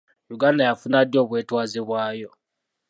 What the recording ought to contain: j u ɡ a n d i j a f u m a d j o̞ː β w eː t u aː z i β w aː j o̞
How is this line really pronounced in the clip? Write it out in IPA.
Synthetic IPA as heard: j u ɡ a n d a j a f u n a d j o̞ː β w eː t w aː z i β w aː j o̞